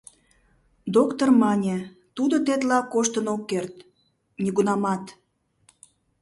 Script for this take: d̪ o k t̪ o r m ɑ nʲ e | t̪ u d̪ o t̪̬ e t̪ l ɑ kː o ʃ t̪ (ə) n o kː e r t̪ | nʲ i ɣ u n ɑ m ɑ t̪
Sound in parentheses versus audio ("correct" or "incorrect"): correct